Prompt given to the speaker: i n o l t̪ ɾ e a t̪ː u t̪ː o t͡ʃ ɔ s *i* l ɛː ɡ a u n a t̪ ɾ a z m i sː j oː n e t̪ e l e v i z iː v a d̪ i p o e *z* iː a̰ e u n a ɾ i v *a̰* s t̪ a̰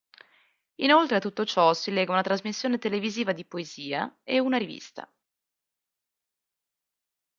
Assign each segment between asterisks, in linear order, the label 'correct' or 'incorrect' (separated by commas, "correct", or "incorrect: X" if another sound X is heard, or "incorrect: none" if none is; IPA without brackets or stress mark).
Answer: correct, correct, incorrect: ḭ